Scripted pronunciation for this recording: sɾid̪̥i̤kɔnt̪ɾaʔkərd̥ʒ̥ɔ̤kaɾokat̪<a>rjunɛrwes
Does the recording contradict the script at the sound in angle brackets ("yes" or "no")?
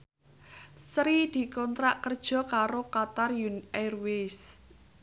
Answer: no